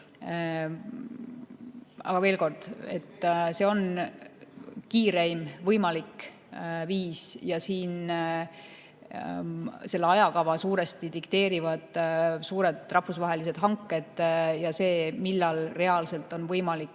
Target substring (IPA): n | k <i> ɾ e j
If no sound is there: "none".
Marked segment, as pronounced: iː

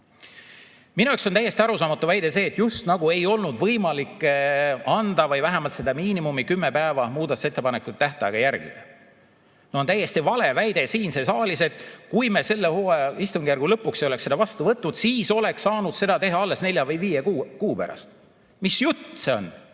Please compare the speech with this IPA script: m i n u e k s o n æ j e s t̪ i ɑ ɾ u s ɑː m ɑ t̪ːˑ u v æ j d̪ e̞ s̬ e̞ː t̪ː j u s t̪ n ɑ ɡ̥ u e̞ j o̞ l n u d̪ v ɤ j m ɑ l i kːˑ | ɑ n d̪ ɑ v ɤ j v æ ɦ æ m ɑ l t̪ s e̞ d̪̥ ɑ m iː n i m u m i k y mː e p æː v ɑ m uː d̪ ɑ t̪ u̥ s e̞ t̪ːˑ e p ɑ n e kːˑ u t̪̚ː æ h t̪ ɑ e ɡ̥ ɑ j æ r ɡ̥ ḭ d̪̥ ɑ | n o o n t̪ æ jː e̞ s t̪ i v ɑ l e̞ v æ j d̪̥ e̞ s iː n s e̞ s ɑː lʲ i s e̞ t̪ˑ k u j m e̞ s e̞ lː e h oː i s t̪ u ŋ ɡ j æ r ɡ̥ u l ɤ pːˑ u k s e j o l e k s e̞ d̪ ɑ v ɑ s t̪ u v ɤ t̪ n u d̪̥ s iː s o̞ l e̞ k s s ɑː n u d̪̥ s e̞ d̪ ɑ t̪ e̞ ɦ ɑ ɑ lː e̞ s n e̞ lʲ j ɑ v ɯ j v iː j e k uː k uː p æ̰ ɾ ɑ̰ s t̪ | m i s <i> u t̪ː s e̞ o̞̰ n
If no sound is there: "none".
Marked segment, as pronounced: j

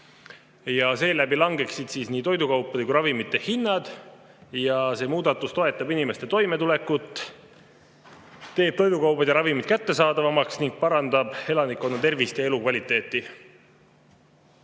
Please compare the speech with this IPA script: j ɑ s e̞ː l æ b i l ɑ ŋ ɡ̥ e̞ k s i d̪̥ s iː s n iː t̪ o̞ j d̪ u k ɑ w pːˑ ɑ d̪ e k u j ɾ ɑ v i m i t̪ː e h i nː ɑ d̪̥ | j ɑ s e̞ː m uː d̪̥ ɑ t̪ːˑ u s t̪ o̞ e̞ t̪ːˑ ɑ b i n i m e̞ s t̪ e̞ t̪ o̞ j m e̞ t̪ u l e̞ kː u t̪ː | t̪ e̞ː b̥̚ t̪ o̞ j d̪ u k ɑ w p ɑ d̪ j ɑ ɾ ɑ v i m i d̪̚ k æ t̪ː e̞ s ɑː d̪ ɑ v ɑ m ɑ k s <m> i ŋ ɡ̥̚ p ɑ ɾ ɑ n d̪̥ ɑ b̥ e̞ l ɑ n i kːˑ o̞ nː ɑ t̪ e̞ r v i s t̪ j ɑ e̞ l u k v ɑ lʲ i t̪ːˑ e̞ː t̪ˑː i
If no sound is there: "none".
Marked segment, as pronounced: n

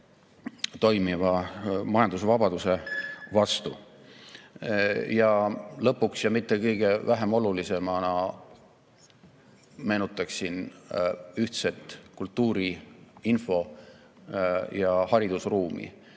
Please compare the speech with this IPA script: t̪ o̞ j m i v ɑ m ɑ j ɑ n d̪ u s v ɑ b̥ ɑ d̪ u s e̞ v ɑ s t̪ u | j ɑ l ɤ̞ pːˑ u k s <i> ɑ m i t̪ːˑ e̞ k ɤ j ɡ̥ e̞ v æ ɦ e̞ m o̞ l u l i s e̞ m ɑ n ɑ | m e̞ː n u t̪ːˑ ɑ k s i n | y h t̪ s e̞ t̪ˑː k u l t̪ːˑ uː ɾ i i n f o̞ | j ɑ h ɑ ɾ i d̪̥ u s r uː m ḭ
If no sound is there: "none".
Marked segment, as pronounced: j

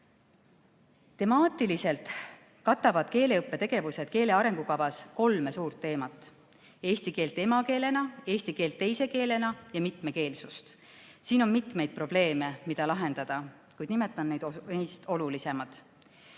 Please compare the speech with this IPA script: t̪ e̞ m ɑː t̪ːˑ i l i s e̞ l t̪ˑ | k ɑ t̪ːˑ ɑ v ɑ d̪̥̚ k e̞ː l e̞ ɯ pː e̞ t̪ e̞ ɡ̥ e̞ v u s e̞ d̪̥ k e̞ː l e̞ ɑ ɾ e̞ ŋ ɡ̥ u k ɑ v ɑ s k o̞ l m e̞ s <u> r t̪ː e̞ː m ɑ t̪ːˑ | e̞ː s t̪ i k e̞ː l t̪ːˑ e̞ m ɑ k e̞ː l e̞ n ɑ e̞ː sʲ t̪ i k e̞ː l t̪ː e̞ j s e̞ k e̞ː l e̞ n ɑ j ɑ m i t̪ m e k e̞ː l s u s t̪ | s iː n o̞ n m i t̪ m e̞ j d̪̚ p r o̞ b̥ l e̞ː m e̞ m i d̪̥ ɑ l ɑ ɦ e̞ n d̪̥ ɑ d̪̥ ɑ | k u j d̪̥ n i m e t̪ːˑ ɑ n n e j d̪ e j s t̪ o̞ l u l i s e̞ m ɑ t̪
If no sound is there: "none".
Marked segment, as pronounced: uː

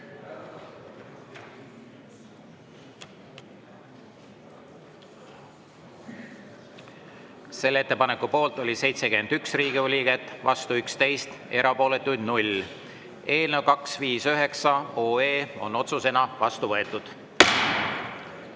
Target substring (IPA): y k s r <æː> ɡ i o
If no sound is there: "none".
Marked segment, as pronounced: iː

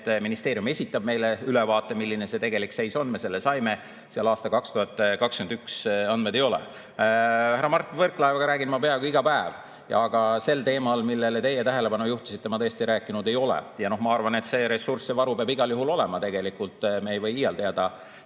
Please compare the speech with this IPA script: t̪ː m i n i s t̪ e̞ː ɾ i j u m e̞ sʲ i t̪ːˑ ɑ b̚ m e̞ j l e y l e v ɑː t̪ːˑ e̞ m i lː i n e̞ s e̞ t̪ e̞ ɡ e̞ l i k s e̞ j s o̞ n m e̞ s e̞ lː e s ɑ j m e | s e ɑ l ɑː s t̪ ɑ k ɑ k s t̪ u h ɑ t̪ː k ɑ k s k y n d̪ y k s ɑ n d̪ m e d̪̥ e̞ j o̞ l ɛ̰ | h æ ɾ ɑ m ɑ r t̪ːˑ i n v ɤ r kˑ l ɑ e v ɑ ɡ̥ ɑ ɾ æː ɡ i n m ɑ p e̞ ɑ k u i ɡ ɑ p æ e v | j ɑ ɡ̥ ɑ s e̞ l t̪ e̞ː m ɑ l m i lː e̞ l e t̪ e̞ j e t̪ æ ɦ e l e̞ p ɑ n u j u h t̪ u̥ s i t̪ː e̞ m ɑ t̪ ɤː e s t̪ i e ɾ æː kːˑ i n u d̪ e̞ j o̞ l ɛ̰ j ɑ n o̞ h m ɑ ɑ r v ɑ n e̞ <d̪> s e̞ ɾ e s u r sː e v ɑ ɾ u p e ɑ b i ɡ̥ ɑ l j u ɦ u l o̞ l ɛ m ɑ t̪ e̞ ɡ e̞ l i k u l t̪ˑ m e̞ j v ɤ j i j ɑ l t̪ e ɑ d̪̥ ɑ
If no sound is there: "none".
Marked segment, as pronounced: t̪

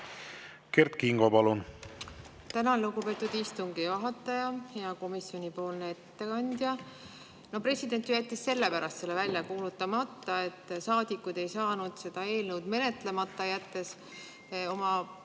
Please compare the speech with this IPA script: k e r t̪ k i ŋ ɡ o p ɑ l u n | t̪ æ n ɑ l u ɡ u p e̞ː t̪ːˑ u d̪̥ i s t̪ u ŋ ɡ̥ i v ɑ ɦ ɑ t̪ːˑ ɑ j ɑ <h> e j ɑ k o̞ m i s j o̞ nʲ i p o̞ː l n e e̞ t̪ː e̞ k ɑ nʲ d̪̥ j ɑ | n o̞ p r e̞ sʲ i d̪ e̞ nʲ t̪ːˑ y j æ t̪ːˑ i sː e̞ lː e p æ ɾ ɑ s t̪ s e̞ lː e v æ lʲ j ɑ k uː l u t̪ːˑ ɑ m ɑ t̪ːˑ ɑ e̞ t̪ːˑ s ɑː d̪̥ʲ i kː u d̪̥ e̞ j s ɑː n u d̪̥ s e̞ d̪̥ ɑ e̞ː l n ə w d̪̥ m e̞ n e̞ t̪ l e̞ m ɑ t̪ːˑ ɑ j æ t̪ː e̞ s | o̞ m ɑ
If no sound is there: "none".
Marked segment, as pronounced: h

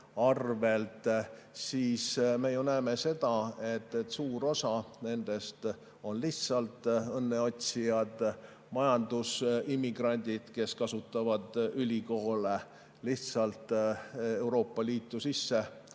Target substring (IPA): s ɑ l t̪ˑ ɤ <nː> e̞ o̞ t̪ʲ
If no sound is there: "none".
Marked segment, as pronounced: nː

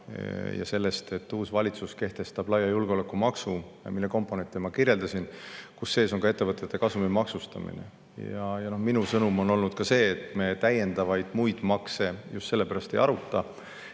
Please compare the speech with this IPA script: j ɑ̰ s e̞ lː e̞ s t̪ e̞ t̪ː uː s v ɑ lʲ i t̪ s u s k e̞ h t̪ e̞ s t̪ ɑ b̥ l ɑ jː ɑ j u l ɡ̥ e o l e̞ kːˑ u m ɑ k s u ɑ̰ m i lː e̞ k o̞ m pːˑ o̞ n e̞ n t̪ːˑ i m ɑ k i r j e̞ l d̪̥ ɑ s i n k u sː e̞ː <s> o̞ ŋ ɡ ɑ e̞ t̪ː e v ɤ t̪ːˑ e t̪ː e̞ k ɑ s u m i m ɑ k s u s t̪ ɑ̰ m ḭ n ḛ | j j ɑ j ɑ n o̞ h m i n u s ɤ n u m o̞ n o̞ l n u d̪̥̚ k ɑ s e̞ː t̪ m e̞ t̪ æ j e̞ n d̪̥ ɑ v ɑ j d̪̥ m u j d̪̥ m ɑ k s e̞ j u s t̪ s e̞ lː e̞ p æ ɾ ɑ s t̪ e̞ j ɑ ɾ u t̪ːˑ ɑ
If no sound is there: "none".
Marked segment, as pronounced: s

